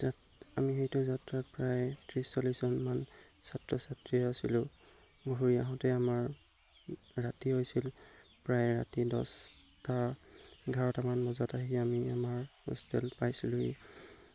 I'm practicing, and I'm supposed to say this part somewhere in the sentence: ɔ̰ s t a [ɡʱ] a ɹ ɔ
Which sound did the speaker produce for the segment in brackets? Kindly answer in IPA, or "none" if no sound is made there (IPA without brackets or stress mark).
ɡʱ